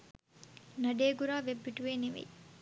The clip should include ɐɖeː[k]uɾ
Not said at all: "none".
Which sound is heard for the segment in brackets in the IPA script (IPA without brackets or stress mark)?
ɡ